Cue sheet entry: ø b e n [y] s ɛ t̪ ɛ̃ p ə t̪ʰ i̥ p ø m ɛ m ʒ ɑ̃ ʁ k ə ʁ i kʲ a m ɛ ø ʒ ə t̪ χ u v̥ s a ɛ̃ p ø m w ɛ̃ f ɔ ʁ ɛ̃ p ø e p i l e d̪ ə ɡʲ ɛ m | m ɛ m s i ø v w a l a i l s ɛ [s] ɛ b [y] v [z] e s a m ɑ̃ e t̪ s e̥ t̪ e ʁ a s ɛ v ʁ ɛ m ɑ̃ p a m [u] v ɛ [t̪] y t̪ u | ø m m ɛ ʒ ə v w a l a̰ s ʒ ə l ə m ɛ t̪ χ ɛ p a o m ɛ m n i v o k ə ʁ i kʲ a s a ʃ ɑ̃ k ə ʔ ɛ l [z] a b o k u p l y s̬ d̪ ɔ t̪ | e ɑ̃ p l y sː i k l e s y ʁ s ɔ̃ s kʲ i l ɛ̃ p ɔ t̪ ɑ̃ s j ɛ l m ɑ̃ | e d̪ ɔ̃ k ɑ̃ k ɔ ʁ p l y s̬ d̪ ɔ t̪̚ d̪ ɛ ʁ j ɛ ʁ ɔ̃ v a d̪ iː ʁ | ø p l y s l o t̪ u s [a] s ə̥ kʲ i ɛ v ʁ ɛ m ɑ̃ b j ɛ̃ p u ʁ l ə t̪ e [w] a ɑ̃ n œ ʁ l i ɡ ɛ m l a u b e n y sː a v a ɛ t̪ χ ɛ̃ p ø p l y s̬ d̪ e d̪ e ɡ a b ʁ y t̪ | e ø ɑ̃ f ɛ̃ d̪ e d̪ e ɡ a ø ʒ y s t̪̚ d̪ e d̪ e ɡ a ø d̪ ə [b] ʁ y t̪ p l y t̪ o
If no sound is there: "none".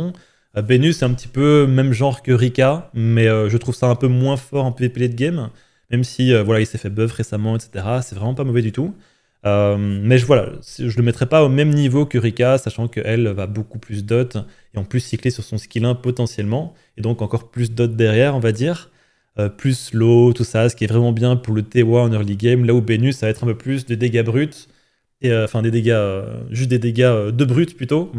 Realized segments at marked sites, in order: y, f, œ, ʁ, ɔ, d̪, v, a, w, b

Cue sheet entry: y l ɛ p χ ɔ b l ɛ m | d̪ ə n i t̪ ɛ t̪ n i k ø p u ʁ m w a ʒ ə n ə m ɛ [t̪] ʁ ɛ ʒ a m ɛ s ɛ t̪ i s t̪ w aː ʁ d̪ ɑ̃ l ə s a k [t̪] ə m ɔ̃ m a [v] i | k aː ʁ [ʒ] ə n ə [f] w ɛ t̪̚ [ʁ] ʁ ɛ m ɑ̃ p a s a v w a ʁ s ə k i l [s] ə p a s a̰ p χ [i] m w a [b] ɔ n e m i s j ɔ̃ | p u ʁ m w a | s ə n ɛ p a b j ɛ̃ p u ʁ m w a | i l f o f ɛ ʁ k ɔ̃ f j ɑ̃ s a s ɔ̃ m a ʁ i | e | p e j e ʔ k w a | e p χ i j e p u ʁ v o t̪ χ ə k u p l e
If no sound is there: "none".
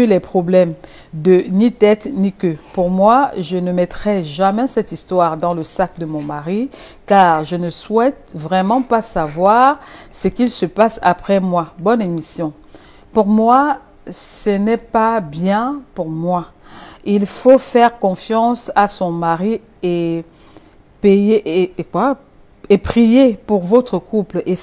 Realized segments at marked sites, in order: t̪, d̪, ʁ, ʒ, s, v, s, ɛ, b

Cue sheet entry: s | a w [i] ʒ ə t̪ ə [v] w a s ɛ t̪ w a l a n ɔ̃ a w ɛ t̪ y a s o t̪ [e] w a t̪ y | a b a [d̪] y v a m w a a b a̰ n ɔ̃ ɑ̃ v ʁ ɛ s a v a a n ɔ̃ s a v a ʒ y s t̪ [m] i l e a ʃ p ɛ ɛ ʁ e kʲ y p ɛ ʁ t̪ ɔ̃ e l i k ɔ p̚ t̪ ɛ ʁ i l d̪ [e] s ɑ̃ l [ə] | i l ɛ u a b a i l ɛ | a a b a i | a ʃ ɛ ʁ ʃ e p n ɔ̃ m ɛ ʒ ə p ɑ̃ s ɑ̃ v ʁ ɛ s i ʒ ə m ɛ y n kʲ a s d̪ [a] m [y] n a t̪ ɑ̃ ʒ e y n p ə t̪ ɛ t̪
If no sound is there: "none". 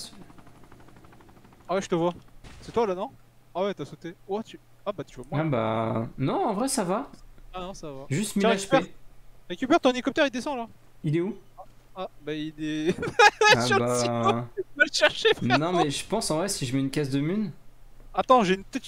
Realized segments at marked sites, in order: ɛ, v, e, t̪, m, e, a, ə, y

